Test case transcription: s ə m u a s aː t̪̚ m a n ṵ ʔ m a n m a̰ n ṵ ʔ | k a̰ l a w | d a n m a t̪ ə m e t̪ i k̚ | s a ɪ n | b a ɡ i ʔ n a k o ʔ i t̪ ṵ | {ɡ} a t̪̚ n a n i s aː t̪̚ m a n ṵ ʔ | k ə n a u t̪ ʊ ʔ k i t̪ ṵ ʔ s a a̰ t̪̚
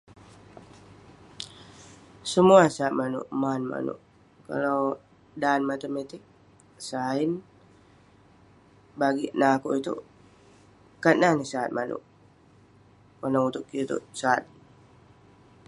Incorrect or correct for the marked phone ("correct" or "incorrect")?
incorrect